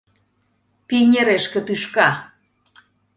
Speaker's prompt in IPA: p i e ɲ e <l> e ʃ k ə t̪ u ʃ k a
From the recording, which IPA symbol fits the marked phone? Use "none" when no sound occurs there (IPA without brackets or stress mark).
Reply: ɾ